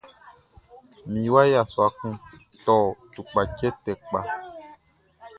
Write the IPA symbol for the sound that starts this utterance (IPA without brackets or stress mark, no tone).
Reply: m